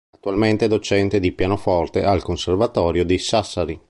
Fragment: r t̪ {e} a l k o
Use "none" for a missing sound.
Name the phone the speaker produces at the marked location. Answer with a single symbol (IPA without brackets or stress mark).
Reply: e